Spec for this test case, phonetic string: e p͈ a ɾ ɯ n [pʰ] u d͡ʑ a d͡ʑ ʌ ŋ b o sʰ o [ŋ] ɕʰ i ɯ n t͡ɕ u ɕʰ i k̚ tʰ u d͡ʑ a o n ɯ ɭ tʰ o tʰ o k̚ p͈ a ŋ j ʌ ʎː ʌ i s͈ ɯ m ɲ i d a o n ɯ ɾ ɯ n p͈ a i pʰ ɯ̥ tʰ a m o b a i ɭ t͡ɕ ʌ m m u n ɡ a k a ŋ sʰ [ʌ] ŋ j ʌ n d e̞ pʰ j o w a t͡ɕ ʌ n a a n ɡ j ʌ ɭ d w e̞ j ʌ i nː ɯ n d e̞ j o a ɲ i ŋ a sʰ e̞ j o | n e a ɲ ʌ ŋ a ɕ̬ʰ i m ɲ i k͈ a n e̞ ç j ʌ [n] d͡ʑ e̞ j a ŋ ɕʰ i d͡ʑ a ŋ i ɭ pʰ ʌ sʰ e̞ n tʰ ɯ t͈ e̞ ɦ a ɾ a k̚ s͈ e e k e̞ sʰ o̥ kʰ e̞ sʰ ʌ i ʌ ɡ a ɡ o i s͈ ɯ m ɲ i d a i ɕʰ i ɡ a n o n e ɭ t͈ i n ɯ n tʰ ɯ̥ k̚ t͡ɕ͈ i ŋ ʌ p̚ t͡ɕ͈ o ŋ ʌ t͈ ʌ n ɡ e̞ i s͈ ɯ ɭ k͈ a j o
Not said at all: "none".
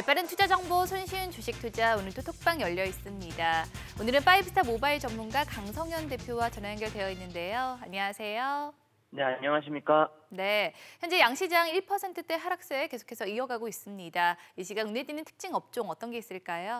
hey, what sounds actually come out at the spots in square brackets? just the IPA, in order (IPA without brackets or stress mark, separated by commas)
tʰ, n, ʌ, n